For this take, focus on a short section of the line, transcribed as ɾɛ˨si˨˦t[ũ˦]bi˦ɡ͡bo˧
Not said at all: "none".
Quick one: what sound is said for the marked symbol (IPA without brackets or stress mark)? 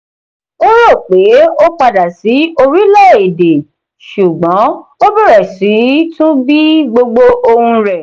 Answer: ũ˦